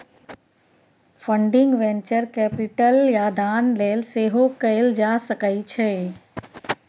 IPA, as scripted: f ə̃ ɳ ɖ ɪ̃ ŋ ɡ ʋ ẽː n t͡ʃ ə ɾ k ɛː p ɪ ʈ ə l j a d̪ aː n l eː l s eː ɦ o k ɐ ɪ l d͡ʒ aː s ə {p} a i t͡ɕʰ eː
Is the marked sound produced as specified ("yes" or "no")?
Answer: no